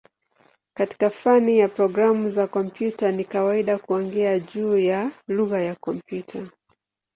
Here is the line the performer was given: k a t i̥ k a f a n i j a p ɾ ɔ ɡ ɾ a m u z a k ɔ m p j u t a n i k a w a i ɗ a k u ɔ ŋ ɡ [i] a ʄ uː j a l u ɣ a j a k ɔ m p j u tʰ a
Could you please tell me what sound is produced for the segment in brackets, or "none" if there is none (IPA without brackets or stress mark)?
ɛ